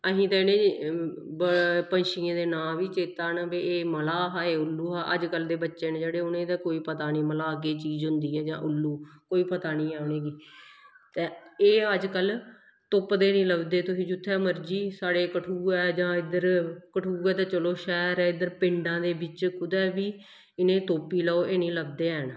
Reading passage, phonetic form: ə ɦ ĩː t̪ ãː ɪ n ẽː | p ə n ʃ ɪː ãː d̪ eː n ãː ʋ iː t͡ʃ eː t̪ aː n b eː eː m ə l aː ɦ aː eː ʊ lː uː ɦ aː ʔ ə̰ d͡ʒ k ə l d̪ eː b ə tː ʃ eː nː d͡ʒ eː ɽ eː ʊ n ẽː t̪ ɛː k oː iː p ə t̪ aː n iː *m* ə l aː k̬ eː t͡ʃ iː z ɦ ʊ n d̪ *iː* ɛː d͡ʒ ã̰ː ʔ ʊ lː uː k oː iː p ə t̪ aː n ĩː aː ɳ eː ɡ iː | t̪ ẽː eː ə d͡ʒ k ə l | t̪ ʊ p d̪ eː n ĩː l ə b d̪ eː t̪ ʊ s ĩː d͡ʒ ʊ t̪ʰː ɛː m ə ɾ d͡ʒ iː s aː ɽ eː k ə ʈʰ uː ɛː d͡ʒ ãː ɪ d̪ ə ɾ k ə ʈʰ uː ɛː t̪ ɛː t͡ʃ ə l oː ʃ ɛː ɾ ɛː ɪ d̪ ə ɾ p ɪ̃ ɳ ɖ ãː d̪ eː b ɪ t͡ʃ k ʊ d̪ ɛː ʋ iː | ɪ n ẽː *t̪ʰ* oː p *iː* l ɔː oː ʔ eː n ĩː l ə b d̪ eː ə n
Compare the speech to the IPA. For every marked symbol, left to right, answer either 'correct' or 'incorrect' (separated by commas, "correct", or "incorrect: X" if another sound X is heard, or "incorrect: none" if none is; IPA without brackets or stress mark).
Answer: correct, correct, incorrect: t̪, correct